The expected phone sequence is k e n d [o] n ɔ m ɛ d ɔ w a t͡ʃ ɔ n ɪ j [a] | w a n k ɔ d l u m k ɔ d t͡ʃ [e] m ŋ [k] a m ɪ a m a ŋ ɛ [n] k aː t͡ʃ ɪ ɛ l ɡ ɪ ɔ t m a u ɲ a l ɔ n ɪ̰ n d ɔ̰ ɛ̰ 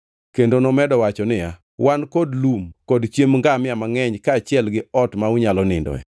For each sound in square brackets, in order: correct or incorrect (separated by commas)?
correct, correct, correct, incorrect, incorrect